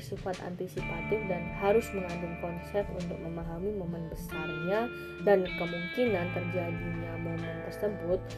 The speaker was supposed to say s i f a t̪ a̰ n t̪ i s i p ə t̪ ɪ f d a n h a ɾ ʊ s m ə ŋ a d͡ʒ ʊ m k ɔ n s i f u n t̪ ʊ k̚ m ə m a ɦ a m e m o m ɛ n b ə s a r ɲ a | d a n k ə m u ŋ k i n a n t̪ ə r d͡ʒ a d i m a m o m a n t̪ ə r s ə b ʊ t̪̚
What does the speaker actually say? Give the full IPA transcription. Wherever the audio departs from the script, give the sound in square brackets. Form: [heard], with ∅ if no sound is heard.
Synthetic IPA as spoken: s i f a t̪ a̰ n t̪ i s i p [a] t̪ ɪ f d a n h a ɾ ʊ s m ə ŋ a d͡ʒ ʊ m k ɔ n s [ɛ] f u n t̪ ʊ k̚ m ə m a ɦ a m [i] m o m ɛ n b ə s a r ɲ a | d a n k ə m u ŋ k i n a n t̪ ə r d͡ʒ a d i [ɲ] a m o m [ɛ] n t̪ ə r s ə b ʊ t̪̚